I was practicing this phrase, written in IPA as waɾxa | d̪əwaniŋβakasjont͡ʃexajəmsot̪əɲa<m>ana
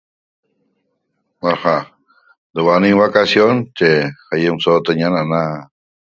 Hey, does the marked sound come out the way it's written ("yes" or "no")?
no